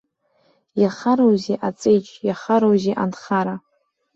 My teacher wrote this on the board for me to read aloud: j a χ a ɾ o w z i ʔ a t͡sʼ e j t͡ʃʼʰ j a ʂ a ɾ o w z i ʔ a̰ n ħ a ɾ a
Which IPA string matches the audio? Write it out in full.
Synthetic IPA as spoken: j a χ a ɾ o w z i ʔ a t͡sʼ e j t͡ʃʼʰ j a χ a ɾ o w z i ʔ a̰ n χ a ɾ a